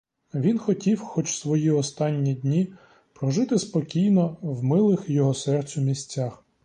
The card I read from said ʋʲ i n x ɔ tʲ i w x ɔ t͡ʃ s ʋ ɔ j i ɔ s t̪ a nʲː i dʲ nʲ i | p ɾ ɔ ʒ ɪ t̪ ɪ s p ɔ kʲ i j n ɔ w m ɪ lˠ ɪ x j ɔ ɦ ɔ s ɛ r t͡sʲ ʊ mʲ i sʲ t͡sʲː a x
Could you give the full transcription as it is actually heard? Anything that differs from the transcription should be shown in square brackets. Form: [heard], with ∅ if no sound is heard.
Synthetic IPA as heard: ʋʲ i n x ɔ tʲ i w x ɔ t͡ʃ s ʋ ɔ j i ɔ s t̪ [ɑ] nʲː i dʲ nʲ i | p ɾ ɔ ʒ ɪ t̪ ɪ s p ɔ kʲ i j n ɔ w m ɪ lˠ ɪ x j ɔ ɦ ɔ s ɛ r t͡sʲ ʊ mʲ i sʲ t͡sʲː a x